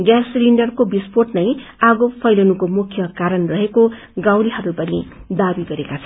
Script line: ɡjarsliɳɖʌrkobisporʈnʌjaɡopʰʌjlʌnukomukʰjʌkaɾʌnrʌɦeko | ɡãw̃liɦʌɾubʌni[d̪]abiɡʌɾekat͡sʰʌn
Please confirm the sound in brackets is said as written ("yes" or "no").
yes